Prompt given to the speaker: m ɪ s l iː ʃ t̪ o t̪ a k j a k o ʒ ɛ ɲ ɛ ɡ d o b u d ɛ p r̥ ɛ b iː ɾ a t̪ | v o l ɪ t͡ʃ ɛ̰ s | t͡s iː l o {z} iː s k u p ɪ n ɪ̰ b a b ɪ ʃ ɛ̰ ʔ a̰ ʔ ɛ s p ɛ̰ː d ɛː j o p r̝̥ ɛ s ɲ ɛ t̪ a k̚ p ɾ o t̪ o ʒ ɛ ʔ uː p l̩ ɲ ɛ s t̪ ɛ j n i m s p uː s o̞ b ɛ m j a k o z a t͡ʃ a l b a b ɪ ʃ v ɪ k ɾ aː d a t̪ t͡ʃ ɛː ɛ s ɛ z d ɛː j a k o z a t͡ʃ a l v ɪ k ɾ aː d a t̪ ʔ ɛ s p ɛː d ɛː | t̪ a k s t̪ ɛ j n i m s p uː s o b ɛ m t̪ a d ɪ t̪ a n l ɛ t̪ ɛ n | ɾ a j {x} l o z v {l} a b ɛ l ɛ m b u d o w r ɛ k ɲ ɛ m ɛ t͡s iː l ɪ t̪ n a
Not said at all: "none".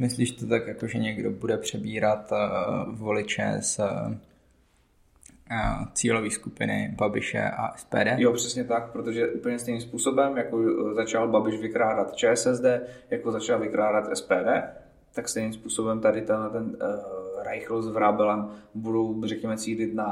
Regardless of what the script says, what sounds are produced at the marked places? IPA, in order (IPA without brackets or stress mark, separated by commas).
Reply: v, x, ɾ